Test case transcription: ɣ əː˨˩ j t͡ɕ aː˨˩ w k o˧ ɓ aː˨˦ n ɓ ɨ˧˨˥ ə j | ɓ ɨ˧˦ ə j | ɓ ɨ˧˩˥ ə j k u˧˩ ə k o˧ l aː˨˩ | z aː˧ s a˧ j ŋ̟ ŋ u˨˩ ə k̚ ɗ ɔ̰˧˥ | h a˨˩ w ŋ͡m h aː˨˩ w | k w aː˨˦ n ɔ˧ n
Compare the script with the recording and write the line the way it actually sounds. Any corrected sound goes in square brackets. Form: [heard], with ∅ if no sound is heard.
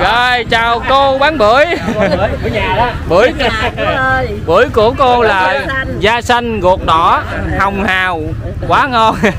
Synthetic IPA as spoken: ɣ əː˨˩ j t͡ɕ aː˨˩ w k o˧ ɓ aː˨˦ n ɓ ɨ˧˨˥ ə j | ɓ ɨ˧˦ ə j | ɓ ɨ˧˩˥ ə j k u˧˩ ə k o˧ l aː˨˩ | z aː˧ s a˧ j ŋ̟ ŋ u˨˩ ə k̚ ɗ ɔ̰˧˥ | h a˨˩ w ŋ͡m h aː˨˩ w | k w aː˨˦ [ŋ] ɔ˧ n

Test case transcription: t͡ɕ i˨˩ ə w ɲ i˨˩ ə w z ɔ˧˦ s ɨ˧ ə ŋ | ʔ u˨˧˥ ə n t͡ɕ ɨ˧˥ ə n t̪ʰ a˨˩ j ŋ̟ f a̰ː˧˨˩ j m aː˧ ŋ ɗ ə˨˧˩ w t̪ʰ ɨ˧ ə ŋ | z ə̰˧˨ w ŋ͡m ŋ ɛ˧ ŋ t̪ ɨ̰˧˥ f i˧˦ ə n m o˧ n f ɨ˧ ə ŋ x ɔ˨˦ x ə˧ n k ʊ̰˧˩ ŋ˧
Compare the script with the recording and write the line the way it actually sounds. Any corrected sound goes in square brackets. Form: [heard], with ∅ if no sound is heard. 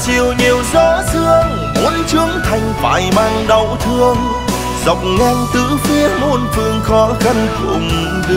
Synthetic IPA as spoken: t͡ɕ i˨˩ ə w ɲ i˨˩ ə w z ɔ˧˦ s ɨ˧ ə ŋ | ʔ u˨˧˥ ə n t͡ɕ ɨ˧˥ ə [ŋ] t̪ʰ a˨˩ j ŋ̟ f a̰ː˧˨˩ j m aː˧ ŋ ɗ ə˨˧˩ w t̪ʰ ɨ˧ ə ŋ | z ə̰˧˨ w ŋ͡m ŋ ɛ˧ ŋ t̪ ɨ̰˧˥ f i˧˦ ə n m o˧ n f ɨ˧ ə ŋ x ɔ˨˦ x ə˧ n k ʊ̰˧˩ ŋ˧

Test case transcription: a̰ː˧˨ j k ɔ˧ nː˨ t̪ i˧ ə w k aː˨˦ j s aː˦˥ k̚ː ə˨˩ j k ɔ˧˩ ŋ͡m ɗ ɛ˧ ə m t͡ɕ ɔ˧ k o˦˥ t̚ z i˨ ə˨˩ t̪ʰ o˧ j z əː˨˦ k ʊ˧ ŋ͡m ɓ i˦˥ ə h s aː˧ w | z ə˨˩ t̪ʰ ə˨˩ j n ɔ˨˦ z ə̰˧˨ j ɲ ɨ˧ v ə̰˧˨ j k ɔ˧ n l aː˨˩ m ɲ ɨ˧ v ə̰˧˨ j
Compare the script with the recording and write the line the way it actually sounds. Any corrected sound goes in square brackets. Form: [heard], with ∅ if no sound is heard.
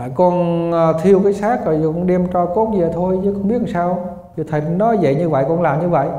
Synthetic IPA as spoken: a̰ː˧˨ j k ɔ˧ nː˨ [t̪ʰ] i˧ ə w k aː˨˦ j s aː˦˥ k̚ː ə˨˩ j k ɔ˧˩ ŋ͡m ɗ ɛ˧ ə m t͡ɕ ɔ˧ k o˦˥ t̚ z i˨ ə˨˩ t̪ʰ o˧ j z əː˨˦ k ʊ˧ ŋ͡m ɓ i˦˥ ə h s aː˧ w | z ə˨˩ t̪ʰ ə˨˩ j n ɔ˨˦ z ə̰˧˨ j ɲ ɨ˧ v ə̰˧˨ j k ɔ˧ n l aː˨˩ m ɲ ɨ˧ v ə̰˧˨ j

